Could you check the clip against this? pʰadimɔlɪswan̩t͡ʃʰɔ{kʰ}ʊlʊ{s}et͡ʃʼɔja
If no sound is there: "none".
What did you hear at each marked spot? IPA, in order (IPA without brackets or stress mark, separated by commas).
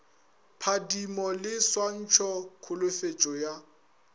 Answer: kʰ, f